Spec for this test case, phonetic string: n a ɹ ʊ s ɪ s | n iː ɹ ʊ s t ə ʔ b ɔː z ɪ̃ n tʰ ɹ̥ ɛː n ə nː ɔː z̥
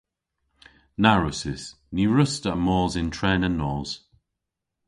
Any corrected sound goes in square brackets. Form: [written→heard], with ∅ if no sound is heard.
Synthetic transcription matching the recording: n a ɹ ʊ s ɪ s | n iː ɹ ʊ s t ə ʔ [b→m] ɔː z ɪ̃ n tʰ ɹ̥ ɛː n ə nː ɔː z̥